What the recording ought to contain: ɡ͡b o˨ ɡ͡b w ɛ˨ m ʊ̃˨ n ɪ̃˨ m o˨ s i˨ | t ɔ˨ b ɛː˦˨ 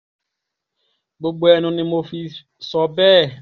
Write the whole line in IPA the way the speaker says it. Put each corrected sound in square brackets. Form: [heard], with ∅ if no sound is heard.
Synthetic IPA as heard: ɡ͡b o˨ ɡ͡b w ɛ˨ [n] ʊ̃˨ n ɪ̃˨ m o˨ [f] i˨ | [s] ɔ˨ b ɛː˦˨